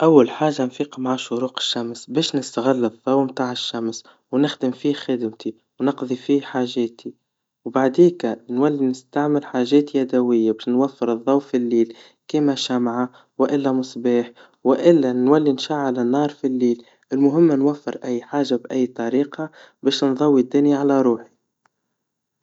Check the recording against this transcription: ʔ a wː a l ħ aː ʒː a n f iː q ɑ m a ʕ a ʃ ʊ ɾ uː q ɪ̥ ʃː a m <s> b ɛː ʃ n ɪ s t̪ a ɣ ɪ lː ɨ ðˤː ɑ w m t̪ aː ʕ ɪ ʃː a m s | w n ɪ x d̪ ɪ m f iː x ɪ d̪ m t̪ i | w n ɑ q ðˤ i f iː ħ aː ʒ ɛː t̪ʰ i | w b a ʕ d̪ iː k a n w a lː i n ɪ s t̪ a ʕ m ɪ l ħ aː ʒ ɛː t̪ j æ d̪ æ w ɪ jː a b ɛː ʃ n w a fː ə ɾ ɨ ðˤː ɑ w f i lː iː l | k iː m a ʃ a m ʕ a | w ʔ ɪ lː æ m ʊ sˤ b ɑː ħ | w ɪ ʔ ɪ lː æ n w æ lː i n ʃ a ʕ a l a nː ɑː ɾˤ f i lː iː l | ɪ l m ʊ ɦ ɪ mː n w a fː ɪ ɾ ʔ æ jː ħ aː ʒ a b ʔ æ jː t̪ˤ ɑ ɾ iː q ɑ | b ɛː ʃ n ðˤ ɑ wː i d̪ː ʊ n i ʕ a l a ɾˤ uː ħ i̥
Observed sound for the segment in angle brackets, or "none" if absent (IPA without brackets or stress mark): s